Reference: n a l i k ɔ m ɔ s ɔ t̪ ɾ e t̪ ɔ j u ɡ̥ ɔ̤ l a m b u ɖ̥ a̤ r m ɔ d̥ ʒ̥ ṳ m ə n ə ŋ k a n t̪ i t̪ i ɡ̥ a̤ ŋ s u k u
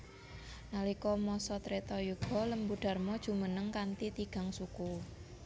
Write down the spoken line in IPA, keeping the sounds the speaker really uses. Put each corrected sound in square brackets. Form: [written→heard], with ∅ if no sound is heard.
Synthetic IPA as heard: n a l i k ɔ m ɔ s ɔ t̪ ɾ e t̪ ɔ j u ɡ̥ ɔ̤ l [a→ə] m b u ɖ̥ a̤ r m ɔ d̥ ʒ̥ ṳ m ə n ə ŋ k a n t̪ i t̪ i ɡ̥ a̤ ŋ s u k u